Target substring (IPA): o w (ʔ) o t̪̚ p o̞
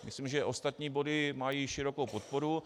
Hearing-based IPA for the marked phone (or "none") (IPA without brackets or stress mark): p